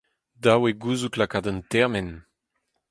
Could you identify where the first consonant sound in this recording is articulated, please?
alveolar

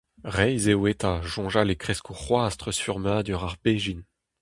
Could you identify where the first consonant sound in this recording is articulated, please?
uvular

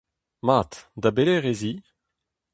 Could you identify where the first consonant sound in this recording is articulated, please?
labial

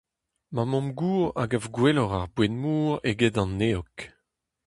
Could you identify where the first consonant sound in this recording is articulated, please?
labial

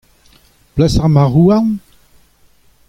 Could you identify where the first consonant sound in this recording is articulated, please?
labial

